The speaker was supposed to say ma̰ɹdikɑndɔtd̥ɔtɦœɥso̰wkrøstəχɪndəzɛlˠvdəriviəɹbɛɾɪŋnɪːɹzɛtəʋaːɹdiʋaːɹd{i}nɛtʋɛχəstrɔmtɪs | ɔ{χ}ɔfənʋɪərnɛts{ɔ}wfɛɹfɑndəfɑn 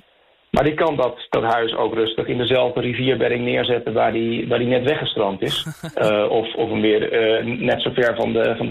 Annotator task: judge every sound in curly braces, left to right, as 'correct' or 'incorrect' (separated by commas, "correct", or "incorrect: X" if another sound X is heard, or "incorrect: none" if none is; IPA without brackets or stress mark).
correct, incorrect: f, incorrect: o